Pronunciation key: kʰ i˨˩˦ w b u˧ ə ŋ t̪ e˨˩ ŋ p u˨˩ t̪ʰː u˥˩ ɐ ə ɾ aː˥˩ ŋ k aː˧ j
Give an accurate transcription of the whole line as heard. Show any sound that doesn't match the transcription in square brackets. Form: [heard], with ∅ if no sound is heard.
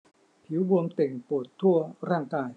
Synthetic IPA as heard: [pʰ] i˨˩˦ w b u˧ ə [m] t̪ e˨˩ ŋ p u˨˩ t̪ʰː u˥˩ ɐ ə ɾ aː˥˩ ŋ k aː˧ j